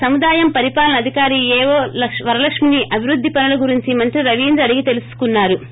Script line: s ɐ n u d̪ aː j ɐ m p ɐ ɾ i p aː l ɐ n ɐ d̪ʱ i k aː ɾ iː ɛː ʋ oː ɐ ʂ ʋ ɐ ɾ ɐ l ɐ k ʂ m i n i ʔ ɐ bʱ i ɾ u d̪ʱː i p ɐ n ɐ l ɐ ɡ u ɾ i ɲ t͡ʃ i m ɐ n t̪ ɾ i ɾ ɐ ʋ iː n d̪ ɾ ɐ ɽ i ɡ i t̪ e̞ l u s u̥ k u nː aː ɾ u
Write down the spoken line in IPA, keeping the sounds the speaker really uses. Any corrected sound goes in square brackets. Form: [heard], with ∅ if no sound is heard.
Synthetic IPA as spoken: s ɐ [m] u d̪ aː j ɐ m p ɐ ɾ i p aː l ɐ n ɐ d̪ʱ i k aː ɾ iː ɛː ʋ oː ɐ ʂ ʋ ɐ ɾ ɐ l ɐ k ʂ m i n i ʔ ɐ bʱ i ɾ u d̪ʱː i p ɐ n ɐ l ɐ ɡ u ɾ i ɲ t͡ʃ i m ɐ n t̪ ɾ i ɾ ɐ ʋ iː n d̪ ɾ ɐ ɽ i ɡ i t̪ e̞ l u s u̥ k u nː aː ɾ u